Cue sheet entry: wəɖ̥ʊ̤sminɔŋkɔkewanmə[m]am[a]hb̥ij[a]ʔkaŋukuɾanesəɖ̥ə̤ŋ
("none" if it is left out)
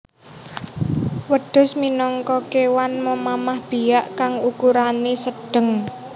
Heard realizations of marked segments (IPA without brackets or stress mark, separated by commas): m, a, a